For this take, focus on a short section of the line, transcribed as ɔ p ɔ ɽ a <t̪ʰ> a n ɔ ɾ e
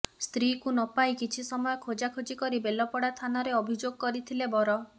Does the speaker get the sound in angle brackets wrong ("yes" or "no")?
no